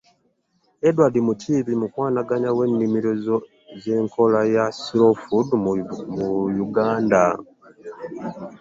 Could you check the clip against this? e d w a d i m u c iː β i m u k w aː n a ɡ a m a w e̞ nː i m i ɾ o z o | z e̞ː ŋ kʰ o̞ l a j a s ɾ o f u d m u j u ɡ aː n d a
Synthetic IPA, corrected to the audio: e d w a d i m u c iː β i m u k w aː n a ɡ a ɲ a w e̞ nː i m i ɾ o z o | z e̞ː ŋ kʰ o̞ l a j a s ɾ o f u d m u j u ɡ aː n d a